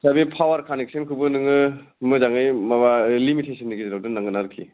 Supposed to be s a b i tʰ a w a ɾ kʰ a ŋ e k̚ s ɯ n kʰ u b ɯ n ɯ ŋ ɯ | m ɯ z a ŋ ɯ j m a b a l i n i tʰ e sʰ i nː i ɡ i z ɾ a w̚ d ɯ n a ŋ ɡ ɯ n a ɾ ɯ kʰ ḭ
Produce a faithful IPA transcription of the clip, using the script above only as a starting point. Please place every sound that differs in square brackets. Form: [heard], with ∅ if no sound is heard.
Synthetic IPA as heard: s a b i [pʰ] a w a ɾ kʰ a [n] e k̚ s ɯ n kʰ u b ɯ n ɯ ŋ ɯ | m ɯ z a ŋ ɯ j m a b a l i [m] i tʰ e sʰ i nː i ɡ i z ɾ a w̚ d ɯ n a ŋ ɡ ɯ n a ɾ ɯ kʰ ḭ